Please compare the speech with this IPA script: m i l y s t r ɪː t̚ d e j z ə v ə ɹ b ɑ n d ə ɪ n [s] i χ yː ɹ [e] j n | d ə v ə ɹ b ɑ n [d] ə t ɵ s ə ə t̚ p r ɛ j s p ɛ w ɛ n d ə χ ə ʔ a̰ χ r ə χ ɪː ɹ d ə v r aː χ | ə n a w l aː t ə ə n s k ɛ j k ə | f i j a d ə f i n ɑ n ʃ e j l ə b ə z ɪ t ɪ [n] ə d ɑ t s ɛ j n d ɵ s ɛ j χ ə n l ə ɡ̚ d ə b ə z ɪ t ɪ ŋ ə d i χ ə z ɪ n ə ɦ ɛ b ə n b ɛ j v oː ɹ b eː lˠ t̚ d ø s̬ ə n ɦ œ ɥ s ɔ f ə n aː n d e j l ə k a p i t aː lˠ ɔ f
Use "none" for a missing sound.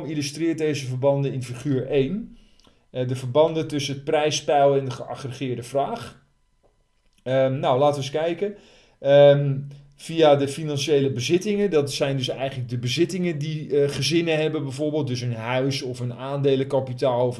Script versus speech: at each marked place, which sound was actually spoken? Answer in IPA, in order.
f, e, d, ŋ

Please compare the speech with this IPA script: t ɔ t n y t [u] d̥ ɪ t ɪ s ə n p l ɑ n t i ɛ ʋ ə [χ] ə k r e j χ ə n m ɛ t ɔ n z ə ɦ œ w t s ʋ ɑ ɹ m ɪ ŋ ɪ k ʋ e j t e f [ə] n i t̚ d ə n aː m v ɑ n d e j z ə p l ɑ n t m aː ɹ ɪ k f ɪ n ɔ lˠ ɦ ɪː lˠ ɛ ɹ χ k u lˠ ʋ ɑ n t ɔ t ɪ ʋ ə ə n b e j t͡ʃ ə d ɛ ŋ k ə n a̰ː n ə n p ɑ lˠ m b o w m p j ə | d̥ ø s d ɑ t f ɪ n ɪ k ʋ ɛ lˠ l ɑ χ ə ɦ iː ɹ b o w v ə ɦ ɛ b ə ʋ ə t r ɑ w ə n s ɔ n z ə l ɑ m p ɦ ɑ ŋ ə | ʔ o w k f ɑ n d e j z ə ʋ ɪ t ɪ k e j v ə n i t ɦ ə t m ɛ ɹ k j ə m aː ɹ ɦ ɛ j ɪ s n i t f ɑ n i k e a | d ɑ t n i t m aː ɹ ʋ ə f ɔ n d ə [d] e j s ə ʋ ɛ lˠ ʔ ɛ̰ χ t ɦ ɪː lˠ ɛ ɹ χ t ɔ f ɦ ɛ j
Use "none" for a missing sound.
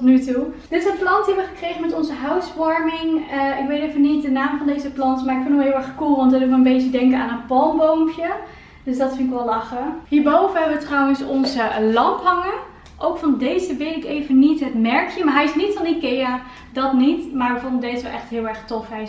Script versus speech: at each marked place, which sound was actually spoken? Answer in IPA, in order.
u, χ, ə, d

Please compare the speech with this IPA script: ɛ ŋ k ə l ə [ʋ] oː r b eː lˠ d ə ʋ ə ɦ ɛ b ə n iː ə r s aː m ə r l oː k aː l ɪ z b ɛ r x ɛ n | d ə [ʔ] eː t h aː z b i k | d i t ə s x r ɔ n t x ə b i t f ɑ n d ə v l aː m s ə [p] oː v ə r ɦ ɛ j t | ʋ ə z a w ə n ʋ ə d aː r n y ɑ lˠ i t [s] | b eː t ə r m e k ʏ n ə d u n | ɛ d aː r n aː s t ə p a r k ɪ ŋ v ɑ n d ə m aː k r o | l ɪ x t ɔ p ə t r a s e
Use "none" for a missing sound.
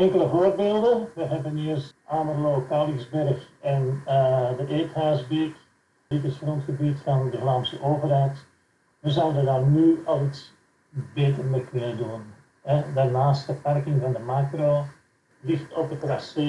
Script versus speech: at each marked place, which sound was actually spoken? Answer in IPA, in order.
v, ʔ, ʔ, s

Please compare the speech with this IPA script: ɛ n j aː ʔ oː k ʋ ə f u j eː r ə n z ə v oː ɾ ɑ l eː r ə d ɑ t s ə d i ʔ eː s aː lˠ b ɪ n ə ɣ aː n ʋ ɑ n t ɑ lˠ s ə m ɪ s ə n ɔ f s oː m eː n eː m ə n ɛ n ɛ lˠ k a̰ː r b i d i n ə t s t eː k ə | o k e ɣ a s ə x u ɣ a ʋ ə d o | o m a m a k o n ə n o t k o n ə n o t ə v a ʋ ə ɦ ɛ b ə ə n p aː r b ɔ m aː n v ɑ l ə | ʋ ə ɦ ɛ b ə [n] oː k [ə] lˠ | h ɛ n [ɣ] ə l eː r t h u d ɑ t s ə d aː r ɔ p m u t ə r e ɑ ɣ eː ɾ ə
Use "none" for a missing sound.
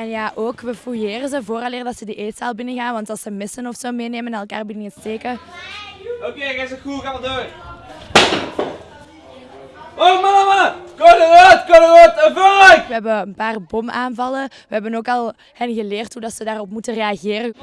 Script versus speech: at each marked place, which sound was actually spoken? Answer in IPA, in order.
n, ɑ, ɣ

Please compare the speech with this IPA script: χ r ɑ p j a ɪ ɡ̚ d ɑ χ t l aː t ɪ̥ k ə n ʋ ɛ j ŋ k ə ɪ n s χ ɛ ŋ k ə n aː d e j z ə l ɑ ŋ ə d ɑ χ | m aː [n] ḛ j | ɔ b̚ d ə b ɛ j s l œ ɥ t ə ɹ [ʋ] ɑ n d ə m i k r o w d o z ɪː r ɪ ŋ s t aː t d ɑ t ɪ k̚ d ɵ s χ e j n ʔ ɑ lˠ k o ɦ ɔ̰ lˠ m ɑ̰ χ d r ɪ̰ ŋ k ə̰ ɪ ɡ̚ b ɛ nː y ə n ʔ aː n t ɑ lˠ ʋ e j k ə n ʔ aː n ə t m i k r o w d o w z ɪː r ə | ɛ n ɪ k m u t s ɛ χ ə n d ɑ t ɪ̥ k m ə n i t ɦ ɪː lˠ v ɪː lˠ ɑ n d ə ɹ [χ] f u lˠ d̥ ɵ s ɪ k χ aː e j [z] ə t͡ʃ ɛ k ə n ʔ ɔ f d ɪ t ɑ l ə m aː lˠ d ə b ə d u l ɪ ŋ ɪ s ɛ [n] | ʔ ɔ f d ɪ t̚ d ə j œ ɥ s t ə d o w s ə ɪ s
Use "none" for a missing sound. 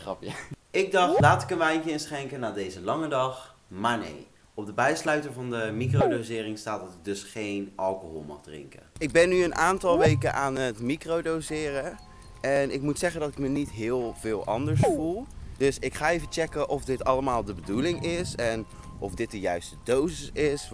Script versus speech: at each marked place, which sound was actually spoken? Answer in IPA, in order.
n, v, s, v, n

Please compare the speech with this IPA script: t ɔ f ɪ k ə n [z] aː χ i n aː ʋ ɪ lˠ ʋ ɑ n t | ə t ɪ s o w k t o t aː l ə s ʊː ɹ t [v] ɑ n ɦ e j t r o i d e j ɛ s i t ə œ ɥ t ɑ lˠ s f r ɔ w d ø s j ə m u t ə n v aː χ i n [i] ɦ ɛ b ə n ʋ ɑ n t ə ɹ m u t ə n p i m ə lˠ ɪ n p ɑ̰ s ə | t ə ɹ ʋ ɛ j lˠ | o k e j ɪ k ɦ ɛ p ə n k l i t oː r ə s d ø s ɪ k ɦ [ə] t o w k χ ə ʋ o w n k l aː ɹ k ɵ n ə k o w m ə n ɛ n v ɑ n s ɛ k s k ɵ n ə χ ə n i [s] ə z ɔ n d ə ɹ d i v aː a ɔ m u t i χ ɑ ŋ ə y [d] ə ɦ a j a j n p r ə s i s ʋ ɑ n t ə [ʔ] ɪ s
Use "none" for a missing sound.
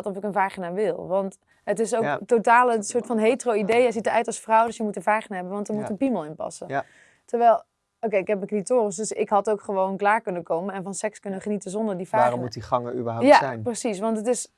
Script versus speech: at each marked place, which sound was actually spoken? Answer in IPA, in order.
v, f, a, ɑ, t, b, t

